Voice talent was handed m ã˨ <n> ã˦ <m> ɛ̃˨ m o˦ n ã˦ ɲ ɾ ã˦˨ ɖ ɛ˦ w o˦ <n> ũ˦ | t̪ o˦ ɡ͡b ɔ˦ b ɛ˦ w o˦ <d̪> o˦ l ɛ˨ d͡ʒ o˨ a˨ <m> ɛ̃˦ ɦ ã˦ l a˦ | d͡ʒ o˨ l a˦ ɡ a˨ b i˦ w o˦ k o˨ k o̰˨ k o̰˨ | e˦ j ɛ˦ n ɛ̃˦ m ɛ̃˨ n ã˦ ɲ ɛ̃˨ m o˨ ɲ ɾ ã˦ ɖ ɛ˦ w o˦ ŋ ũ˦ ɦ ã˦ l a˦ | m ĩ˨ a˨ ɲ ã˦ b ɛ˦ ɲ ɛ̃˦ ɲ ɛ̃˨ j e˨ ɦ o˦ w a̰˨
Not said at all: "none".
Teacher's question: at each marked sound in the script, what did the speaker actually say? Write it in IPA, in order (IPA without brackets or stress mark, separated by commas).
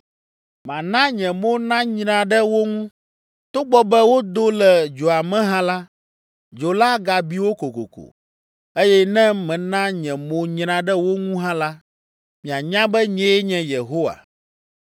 n, ɲ, ŋ, d̪, m